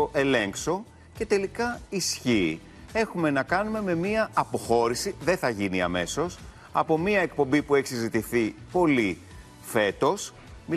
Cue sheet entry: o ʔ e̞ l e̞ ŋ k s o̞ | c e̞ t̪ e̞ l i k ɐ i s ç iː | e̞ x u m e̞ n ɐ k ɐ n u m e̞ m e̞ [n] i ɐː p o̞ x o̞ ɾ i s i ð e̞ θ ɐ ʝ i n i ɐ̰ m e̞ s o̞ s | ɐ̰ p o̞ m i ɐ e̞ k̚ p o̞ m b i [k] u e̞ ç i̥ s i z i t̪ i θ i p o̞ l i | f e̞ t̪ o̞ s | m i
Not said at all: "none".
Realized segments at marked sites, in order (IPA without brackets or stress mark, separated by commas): m, p